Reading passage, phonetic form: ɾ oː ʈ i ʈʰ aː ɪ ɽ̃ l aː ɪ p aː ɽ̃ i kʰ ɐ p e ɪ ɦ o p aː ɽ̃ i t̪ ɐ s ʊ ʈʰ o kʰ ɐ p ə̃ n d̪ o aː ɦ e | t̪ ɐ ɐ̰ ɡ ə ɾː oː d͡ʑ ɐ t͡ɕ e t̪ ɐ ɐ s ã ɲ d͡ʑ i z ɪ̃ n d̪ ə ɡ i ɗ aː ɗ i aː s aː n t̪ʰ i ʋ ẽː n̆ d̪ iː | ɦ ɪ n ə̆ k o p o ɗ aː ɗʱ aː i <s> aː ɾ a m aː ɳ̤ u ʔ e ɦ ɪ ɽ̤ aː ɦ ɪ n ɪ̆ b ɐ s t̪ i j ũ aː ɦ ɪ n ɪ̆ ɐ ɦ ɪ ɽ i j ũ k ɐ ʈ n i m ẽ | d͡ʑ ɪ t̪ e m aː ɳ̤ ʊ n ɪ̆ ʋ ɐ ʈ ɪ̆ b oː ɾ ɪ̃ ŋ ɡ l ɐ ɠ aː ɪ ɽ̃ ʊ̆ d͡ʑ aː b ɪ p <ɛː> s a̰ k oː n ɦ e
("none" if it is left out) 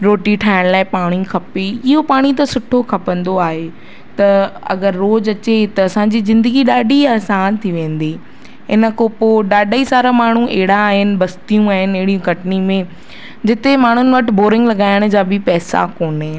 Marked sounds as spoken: s, ɛː

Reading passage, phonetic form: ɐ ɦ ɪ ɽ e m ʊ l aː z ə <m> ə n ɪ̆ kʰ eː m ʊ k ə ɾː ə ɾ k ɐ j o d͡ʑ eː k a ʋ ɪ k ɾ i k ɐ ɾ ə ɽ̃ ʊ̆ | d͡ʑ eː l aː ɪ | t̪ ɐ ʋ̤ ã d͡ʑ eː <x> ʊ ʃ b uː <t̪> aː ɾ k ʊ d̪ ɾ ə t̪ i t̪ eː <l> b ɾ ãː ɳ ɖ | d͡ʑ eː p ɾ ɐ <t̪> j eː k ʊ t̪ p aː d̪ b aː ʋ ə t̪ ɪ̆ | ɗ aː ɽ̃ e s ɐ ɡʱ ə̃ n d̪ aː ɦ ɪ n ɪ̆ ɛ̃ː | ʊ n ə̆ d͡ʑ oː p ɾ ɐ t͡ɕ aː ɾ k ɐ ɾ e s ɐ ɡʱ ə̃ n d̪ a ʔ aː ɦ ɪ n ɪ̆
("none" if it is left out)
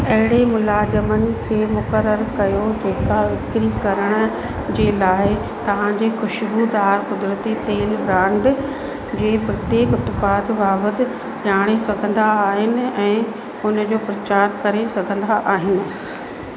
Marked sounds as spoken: m, x, d̪, l, t̪

